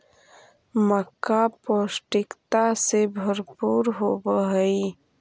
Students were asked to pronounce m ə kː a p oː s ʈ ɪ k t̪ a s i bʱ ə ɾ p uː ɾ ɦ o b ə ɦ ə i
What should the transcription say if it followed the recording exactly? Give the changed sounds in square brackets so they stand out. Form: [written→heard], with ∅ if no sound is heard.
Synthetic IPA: m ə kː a p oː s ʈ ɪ k t̪ a s [i→e] bʱ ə ɾ p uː ɾ ɦ o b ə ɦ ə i